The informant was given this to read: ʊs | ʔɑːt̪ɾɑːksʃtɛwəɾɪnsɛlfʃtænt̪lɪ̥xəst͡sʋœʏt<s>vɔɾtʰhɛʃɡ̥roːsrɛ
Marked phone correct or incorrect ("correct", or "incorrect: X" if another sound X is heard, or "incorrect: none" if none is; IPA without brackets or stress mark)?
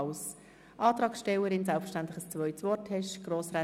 correct